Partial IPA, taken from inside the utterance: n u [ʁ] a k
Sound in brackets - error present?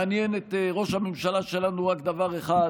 no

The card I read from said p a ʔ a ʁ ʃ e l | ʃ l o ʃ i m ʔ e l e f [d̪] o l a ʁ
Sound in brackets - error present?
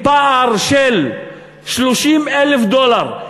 no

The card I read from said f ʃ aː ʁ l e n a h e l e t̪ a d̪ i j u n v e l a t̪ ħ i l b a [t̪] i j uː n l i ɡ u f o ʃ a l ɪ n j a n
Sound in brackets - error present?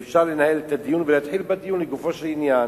yes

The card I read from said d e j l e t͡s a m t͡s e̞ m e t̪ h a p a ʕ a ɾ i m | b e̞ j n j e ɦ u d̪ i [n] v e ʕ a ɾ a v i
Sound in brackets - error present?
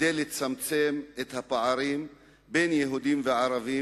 yes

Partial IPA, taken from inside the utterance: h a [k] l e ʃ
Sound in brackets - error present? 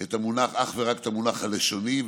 yes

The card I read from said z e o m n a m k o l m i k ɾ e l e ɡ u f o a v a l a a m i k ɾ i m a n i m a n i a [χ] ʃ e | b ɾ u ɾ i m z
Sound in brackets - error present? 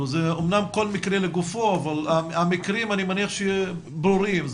no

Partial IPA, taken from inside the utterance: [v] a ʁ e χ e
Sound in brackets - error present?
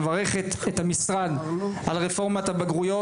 no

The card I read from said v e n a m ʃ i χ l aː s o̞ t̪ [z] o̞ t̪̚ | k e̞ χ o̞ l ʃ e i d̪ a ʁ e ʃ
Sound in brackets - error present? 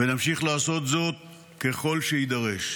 no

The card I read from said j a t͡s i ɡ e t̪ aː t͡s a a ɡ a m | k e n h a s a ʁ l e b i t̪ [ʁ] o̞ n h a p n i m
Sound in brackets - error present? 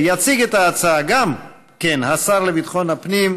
yes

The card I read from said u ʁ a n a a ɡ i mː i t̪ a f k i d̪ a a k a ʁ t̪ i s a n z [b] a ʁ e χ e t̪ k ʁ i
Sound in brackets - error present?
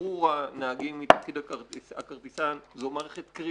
yes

